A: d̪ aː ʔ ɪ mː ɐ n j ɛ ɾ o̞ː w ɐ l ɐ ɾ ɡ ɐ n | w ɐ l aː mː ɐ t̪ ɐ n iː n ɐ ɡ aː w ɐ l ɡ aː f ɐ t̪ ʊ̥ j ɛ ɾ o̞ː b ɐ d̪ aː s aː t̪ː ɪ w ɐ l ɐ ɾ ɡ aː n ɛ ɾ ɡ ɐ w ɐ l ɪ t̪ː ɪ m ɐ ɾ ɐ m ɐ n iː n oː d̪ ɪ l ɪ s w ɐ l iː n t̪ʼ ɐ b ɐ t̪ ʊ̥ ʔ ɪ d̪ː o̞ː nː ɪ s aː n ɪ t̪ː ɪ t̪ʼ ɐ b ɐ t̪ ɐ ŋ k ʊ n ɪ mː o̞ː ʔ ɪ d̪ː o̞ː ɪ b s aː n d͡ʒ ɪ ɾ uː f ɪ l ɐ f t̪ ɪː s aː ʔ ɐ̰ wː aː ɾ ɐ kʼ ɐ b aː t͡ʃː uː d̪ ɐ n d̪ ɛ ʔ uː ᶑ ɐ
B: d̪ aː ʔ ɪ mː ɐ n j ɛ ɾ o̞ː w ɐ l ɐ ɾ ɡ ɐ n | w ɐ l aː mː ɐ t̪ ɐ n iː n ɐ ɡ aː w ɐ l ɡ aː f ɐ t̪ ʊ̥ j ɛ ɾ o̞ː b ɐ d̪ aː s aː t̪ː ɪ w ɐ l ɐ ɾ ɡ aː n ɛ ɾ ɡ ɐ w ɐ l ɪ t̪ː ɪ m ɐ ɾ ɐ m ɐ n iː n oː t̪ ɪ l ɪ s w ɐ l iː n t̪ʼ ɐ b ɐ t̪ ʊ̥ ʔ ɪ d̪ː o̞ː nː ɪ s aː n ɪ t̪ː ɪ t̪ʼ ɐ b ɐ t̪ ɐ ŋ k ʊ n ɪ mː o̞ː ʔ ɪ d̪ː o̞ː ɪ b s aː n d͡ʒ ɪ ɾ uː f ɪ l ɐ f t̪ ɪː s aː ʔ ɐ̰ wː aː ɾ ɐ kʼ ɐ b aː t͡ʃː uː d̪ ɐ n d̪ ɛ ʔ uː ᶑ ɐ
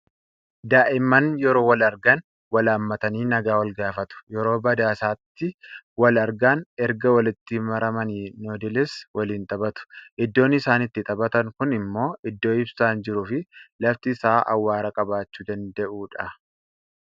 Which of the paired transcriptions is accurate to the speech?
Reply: A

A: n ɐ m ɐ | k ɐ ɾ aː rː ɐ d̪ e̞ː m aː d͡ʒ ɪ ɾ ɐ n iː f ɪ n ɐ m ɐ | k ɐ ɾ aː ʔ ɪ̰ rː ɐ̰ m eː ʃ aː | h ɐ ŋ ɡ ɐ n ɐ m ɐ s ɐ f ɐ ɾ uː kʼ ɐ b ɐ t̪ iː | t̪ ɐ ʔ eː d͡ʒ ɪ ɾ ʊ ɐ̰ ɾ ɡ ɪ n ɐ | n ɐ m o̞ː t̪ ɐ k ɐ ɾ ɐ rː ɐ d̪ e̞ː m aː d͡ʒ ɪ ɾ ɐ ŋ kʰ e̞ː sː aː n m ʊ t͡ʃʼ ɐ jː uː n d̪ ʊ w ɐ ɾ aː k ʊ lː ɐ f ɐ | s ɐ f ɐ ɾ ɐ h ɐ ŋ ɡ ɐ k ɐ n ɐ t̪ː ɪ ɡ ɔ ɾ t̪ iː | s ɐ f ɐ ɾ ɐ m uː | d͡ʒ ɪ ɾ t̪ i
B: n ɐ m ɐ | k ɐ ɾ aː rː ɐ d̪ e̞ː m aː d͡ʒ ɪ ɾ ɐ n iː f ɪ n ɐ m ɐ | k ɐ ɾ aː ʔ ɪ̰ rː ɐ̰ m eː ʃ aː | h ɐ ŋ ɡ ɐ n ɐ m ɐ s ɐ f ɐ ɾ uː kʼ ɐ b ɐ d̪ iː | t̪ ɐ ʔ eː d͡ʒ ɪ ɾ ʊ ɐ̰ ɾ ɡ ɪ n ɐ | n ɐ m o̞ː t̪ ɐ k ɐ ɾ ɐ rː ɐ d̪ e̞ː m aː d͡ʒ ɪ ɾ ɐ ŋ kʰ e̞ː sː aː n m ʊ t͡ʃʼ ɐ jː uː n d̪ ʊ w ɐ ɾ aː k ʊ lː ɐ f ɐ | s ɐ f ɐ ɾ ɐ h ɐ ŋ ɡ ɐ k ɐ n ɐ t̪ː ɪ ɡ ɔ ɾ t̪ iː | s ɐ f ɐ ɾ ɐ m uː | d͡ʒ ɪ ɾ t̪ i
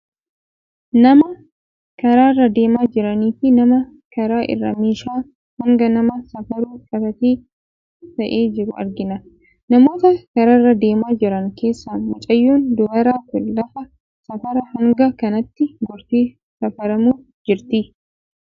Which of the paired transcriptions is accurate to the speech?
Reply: A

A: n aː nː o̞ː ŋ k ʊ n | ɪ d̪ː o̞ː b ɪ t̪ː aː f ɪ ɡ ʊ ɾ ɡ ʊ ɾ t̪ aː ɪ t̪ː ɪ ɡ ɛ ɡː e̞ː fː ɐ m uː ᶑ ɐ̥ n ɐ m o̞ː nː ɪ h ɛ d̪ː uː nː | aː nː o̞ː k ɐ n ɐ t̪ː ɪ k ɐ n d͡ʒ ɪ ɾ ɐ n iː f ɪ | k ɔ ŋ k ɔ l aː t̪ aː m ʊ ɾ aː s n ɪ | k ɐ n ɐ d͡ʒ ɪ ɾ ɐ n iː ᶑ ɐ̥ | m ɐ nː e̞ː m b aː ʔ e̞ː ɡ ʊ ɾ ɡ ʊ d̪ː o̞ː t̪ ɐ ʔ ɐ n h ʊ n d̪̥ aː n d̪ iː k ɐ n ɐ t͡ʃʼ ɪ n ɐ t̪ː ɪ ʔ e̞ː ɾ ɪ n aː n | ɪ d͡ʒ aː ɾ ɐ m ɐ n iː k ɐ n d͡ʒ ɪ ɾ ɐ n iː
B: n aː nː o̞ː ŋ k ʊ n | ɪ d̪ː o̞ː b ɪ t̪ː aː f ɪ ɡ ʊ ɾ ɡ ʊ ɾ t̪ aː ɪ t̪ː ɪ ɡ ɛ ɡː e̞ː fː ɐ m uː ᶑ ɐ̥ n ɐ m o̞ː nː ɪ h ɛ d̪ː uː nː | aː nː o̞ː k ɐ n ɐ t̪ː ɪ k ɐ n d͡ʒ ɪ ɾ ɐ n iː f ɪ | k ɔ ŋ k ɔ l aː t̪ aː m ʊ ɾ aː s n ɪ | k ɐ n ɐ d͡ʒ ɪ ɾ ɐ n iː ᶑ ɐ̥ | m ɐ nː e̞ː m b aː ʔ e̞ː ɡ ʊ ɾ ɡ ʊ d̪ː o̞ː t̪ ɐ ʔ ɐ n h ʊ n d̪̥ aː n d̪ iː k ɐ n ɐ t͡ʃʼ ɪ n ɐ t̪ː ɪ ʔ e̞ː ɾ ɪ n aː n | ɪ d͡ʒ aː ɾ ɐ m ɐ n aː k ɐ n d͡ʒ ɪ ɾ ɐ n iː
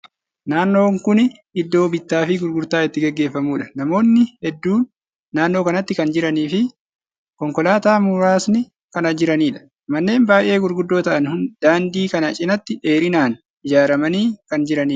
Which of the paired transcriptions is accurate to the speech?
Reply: A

